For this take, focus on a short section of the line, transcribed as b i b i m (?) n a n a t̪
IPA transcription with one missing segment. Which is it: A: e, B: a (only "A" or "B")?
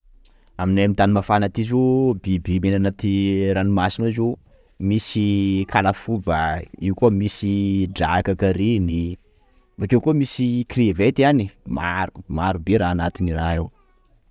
A